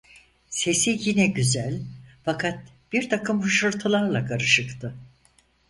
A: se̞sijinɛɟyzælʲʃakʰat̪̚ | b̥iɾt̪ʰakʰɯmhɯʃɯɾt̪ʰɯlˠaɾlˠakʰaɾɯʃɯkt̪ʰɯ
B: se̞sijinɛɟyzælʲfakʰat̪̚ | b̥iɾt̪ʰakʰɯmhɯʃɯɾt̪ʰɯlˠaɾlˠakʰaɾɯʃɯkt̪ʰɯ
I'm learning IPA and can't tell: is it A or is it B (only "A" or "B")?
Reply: B